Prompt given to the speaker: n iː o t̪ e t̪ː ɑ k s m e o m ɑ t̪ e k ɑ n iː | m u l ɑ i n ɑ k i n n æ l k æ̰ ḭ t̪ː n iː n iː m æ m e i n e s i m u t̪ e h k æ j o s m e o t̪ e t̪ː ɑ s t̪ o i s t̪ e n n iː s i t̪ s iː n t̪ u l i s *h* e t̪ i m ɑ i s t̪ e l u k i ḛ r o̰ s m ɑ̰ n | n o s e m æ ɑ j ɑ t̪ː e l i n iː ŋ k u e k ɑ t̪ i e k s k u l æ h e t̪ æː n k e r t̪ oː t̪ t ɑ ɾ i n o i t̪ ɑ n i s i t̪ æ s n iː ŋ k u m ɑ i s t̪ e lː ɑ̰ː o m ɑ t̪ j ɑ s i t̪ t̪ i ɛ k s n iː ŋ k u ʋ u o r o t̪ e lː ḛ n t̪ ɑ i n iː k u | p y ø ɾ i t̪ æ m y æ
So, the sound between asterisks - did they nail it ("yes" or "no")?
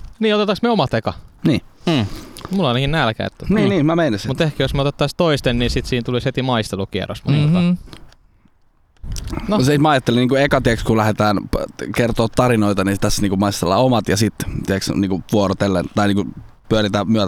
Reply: yes